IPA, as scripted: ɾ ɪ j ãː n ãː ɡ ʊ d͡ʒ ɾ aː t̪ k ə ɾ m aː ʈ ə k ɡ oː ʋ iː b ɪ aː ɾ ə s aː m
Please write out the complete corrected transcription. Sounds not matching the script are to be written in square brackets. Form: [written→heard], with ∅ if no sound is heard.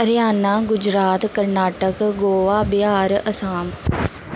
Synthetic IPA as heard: ɾ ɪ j [ãː→aː] n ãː ɡ ʊ d͡ʒ ɾ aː t̪ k ə ɾ [m→n] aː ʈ ə k ɡ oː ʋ [iː→aː] b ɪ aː ɾ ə s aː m